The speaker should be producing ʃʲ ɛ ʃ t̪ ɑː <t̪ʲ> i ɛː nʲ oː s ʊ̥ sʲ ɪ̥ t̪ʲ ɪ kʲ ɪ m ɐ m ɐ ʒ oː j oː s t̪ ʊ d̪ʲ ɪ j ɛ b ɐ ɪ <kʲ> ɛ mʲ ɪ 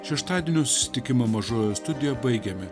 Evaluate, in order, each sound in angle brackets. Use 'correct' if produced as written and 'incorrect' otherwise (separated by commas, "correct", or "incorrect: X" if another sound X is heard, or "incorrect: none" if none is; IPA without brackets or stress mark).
incorrect: d̪ʲ, incorrect: ɡʲ